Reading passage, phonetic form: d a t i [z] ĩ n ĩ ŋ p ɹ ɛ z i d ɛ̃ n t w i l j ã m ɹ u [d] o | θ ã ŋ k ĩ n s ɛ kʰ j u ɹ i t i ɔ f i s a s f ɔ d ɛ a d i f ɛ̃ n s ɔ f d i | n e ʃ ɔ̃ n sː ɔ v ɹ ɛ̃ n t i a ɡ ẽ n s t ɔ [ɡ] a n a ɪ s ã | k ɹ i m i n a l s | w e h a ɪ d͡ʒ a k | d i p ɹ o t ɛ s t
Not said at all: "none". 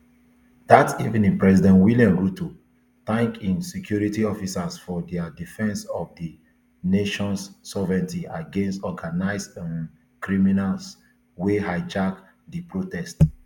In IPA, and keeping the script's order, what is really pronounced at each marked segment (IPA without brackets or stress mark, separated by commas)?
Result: v, t, ɡ